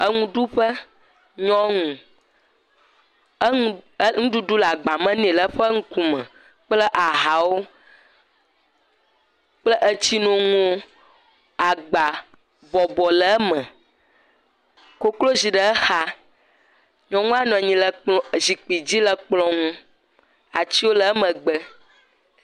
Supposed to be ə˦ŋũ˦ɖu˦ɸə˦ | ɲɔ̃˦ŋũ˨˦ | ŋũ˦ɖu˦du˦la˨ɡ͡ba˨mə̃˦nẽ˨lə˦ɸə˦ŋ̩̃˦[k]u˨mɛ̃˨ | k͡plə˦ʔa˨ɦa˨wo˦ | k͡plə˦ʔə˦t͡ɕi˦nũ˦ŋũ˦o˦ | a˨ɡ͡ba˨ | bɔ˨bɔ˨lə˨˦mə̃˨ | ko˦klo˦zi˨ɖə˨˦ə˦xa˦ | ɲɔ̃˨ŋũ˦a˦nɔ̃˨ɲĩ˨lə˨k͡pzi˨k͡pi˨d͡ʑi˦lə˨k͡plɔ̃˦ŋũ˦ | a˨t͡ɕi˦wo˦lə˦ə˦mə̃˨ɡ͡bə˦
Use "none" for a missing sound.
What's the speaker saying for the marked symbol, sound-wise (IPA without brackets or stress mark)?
k